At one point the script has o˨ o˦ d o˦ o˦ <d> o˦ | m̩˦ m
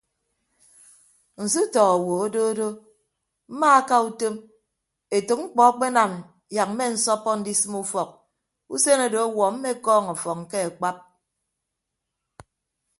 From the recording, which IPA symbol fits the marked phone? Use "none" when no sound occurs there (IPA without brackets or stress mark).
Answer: d